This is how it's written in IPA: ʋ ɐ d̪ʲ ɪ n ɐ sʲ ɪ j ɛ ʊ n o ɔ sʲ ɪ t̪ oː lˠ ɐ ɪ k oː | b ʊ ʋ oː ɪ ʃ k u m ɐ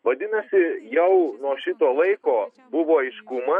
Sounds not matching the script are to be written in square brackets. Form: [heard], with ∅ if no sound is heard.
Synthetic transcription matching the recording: ʋ ɐ d̪ʲ ɪ n ɐ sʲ ɪ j ɛ ʊ n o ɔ [ʃʲ] ɪ t̪ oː lˠ ɐ ɪ k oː | b ʊ ʋ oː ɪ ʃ k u m ɐ